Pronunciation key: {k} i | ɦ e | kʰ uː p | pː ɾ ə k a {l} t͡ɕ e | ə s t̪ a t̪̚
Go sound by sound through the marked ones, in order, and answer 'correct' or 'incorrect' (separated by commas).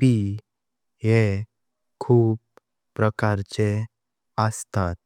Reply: incorrect, incorrect